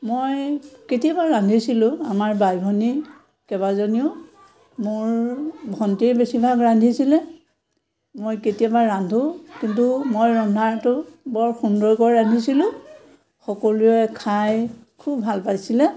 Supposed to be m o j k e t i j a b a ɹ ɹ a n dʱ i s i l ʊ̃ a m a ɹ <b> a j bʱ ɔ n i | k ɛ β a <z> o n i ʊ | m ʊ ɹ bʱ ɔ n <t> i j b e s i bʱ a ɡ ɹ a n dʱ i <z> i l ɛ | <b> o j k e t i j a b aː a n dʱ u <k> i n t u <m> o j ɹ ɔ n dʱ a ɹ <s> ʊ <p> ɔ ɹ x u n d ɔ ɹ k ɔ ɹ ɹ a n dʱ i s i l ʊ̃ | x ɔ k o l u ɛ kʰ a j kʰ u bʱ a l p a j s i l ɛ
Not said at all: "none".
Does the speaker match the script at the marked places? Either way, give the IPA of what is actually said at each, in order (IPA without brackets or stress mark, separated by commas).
b, z, t, s, m, k, m, t, b